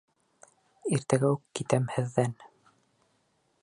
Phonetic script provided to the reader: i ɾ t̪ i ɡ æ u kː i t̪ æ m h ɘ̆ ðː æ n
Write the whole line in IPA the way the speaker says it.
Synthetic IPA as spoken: i ɾ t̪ æ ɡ æ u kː i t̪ æ m h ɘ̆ ðː æ n